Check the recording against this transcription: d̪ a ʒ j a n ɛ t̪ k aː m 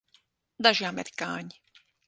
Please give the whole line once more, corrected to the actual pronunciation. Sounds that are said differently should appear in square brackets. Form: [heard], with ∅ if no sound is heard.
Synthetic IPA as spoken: d̪ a ʒ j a [m] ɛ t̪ k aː [ɲ]